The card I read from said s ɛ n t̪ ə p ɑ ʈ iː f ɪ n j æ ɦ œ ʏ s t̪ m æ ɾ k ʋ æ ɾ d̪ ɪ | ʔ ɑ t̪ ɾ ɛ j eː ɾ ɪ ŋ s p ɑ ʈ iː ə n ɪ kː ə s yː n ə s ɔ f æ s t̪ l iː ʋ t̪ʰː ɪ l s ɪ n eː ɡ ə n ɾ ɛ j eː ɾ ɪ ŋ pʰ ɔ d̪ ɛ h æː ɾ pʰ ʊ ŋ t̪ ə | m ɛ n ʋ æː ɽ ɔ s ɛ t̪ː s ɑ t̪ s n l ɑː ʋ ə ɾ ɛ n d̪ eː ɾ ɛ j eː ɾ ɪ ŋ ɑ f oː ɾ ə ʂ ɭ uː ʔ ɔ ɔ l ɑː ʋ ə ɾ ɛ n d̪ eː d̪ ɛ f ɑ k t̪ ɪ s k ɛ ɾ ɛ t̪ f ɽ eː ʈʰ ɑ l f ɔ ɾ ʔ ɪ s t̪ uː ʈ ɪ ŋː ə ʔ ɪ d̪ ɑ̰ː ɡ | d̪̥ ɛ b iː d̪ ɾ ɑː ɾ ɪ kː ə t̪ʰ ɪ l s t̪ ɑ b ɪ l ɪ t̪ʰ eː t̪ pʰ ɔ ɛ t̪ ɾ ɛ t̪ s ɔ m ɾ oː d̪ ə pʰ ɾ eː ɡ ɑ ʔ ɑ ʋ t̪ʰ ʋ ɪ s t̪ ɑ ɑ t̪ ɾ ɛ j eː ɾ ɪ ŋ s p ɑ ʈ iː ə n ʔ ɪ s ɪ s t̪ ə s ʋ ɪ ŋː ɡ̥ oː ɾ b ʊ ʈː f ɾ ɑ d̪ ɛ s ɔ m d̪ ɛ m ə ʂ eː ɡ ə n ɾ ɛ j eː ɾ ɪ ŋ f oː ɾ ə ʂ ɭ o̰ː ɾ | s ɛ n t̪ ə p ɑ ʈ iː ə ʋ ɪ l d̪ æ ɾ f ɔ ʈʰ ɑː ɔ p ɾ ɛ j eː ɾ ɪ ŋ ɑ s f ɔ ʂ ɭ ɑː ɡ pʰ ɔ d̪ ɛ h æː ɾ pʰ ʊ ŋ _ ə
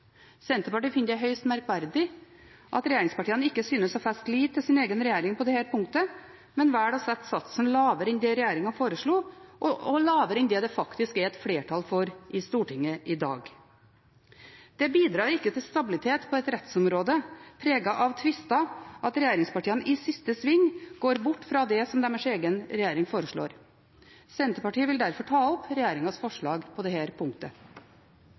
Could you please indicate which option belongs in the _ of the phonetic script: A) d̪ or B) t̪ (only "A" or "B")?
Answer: B